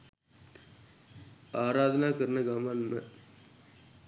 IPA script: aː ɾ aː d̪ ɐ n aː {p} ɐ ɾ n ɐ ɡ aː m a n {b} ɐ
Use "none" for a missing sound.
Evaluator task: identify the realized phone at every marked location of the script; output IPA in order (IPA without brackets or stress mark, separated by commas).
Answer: k, m